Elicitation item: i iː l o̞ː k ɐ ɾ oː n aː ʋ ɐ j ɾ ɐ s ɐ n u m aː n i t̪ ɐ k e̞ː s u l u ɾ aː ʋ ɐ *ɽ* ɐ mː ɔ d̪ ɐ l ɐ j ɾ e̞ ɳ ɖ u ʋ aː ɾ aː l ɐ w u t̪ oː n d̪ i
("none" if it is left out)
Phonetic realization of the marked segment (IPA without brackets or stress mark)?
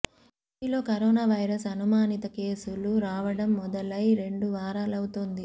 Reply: ɽ